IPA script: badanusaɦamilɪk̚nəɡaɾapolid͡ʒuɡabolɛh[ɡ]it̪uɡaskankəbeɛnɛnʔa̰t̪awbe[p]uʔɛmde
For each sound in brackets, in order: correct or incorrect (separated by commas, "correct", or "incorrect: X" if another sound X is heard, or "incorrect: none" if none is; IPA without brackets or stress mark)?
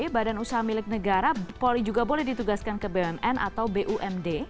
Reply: incorrect: d, incorrect: ʔ